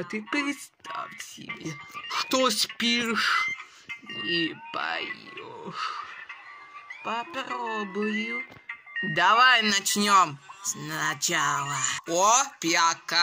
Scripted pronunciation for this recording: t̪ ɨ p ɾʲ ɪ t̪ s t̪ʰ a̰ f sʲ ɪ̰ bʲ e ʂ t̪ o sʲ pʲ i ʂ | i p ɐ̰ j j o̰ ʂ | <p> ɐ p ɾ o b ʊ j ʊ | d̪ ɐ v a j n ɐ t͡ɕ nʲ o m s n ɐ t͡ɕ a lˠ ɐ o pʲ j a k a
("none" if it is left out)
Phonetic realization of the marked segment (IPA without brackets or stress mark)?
p